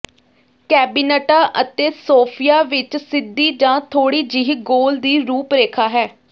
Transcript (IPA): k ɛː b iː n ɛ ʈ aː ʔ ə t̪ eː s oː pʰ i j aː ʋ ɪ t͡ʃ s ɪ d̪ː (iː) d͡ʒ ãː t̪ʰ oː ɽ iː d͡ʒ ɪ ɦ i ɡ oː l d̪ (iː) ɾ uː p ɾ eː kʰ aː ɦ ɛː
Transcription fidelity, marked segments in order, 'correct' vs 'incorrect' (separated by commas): correct, correct